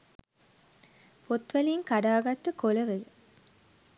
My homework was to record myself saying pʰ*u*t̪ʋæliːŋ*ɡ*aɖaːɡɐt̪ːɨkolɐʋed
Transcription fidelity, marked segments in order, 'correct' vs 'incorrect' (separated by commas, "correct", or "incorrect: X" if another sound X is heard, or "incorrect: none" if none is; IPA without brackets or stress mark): incorrect: o, incorrect: k